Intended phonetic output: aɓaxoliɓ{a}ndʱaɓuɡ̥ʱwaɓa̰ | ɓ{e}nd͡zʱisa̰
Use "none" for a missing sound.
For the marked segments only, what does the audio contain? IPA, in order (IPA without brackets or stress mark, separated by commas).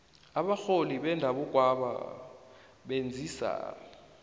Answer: ɛ, e